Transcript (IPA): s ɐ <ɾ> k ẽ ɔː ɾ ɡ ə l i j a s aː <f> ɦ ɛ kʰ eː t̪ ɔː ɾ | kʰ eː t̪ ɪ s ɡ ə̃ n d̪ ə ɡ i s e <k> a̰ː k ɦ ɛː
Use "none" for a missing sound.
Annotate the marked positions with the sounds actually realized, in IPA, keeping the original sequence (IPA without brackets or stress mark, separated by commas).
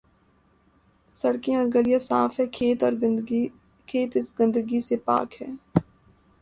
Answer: ɽ, f, p